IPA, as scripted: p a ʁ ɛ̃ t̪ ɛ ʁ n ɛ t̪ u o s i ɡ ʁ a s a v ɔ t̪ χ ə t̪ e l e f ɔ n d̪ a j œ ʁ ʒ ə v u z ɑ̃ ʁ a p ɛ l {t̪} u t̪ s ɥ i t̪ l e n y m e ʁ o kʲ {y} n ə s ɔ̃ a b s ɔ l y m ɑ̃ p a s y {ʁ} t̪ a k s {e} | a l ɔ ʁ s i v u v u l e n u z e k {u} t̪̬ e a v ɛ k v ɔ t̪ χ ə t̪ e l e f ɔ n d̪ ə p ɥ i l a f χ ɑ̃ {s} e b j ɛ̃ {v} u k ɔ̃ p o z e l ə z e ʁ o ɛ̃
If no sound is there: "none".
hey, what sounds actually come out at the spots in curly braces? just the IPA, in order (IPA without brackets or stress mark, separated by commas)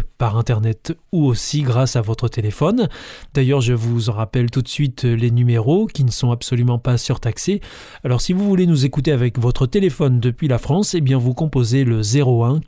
t̪, i, ʁ, e, u, s, v